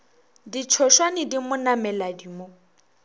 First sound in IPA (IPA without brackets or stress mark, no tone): d